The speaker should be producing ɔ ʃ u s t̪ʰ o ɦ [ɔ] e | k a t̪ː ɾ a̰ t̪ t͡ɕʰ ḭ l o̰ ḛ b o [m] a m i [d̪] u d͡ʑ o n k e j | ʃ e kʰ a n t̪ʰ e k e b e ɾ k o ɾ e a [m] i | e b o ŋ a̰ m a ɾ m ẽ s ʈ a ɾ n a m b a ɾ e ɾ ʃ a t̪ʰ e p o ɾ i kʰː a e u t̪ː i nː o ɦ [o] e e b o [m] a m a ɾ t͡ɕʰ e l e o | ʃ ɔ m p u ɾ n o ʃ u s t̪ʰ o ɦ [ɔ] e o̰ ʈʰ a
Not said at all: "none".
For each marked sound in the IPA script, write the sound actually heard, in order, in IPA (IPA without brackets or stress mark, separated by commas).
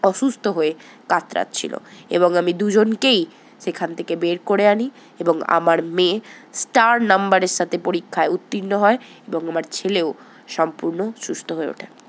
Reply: o, ŋ, d̪, n, ɔ, ŋ, o